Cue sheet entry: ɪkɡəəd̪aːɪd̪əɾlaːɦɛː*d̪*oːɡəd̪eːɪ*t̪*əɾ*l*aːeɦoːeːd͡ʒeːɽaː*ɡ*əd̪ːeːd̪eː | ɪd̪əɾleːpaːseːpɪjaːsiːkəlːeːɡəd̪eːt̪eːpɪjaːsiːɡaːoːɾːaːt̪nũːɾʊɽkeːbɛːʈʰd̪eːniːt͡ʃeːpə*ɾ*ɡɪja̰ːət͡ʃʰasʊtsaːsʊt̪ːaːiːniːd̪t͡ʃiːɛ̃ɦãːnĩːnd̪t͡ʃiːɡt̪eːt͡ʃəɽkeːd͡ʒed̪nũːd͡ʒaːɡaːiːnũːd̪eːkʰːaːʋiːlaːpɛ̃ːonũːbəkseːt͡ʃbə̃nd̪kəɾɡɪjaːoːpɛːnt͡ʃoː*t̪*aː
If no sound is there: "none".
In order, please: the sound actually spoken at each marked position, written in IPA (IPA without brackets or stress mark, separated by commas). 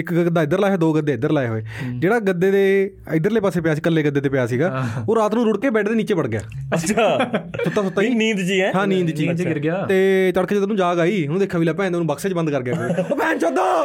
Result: d̪, d̪, l, ɡ, ɽ, d̪